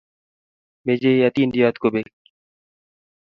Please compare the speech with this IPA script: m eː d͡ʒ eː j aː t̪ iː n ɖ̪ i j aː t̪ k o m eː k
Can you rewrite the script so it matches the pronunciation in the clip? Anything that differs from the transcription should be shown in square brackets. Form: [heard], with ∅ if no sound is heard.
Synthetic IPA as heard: m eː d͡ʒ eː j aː t̪ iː n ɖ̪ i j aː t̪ k o [b] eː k